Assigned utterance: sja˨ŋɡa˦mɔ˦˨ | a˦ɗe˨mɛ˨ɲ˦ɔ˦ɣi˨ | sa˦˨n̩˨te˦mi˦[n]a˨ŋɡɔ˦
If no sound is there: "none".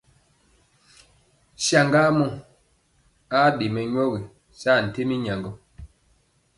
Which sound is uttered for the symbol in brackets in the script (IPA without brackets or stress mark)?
ɲ